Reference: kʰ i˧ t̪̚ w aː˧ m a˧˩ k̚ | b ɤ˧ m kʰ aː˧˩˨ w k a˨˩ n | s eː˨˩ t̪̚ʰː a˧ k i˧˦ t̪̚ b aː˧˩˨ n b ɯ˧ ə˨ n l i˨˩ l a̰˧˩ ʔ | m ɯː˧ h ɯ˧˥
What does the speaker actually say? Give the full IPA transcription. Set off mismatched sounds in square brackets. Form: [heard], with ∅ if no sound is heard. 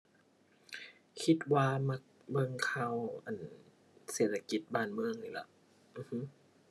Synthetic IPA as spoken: kʰ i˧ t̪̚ w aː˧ m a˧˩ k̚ | b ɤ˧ [ŋ] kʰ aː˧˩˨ w [ʔ] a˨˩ n | s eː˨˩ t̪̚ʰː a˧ k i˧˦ t̪̚ b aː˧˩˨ n [m] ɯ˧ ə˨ [ŋ] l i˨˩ l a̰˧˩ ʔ | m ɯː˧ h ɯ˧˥

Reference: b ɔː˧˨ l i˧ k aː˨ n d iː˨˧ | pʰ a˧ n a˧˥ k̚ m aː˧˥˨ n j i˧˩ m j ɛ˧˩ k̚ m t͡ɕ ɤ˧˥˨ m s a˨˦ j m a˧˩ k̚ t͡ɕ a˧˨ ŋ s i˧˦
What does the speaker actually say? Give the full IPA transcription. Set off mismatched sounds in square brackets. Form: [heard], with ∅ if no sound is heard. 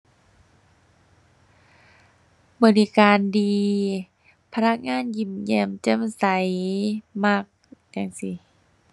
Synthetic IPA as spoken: b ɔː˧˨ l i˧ k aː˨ n d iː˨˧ | pʰ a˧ n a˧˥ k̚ [ŋ] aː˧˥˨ n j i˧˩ m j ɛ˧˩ [∅] m t͡ɕ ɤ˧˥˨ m s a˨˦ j m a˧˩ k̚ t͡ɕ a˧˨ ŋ s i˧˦

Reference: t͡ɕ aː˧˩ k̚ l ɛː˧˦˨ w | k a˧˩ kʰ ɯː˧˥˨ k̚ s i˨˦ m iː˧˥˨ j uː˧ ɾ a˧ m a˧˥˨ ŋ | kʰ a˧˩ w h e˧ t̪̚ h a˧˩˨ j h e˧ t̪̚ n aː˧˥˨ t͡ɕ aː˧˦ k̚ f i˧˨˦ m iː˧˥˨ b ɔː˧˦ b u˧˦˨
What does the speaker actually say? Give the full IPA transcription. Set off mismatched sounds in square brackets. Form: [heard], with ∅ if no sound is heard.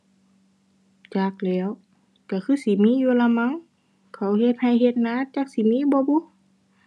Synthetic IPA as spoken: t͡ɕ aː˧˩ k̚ l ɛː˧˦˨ w | k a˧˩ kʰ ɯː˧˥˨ [∅] s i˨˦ m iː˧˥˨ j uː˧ [l] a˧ m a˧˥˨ ŋ | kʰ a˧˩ w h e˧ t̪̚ h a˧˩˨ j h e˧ t̪̚ n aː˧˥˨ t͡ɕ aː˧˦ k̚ [s] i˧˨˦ m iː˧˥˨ b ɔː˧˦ b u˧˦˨

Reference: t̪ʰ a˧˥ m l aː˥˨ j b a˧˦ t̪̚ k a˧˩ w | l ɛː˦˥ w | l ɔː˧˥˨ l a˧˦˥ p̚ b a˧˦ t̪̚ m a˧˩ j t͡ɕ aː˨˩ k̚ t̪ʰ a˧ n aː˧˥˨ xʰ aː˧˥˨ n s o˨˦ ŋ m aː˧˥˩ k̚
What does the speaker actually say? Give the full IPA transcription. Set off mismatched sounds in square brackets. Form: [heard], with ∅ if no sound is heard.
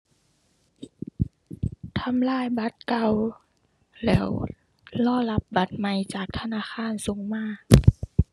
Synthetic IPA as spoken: t̪ʰ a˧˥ m l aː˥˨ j b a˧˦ t̪̚ k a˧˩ w | l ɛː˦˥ w | l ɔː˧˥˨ l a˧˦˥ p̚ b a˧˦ t̪̚ m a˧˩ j t͡ɕ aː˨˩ k̚ t̪ʰ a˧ n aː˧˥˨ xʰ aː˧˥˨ n s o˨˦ ŋ m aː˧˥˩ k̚

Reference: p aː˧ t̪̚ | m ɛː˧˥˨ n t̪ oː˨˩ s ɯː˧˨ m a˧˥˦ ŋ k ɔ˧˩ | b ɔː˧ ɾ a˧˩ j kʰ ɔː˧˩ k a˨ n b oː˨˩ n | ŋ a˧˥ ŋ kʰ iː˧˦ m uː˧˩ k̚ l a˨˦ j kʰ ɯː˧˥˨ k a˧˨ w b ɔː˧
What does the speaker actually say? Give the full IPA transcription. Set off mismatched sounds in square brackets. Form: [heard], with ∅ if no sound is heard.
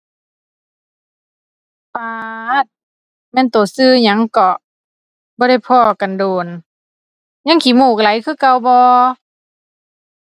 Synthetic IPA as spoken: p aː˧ t̪̚ | m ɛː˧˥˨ n t̪ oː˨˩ s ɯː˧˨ [ɲ] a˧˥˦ ŋ k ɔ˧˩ | b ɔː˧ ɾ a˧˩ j [pʰ] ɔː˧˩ k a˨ n [d] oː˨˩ n | [ɲ] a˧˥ ŋ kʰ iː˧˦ m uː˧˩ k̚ l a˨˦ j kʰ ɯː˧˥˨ k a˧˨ w b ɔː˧

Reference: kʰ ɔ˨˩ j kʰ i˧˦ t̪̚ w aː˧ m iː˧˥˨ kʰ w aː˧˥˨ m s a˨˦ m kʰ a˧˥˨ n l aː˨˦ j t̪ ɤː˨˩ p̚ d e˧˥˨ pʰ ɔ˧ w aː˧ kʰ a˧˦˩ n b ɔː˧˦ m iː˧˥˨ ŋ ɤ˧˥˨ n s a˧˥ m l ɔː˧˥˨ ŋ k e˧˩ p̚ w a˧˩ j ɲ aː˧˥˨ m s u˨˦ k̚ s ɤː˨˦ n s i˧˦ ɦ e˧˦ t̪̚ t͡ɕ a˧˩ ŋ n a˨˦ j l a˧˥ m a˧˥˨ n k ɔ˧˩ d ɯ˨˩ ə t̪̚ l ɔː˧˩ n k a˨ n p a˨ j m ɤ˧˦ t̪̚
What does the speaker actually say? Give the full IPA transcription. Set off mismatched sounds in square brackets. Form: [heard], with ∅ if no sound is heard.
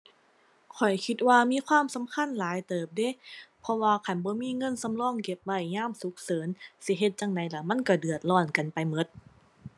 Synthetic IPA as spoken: kʰ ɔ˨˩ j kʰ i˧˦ t̪̚ w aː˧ m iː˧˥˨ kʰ w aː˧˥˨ m s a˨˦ m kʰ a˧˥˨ n l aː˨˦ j t̪ ɤː˨˩ p̚ d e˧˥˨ pʰ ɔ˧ w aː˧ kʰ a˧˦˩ n b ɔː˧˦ m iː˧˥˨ ŋ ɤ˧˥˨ n s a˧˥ m l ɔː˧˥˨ ŋ k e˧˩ p̚ w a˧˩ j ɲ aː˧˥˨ m s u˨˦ k̚ s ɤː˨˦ n s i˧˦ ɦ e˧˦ t̪̚ t͡ɕ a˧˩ ŋ n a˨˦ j l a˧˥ m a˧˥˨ n k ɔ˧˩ d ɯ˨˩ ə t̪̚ l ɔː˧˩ n k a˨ n p a˨ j m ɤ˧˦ t̪̚

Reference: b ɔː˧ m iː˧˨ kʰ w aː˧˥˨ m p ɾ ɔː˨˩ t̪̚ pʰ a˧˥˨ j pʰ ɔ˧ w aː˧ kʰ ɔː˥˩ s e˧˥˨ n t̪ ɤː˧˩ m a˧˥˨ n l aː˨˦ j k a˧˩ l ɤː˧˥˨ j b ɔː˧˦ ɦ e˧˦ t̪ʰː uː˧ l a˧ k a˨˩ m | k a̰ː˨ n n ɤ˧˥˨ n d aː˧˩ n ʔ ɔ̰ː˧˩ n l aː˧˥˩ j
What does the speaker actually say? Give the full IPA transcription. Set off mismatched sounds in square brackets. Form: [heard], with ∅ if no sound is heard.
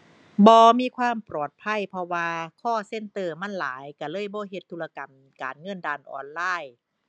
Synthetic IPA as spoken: b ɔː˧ m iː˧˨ kʰ w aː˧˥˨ m p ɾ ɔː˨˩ t̪̚ pʰ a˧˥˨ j pʰ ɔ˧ w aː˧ kʰ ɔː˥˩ s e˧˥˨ n t̪ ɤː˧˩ m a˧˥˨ n l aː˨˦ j k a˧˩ l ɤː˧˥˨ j b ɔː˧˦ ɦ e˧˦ t̪ʰː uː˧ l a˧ k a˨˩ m | k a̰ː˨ n [ŋ] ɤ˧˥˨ n d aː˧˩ n ʔ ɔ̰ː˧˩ n l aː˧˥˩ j

